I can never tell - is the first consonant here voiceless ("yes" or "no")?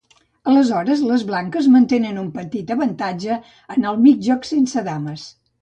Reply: no